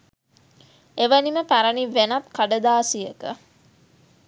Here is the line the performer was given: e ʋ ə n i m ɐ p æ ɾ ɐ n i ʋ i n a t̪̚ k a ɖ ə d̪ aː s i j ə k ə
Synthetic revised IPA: e ʋ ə n i m ə p æ ɾ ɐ n i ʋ e n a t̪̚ k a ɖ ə d̪ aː s i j ə k ə